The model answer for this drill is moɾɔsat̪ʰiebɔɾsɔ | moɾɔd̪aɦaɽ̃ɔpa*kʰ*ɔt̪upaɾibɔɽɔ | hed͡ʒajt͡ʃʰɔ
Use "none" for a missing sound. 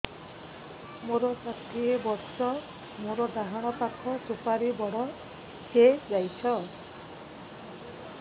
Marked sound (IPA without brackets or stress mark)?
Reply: kʰ